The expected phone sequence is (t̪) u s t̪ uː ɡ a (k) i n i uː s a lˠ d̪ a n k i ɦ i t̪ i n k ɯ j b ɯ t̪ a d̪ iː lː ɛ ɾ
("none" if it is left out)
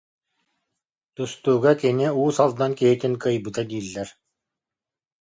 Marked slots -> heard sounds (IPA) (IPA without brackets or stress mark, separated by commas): t̪, k